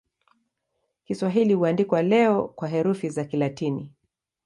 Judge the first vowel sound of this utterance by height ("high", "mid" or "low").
high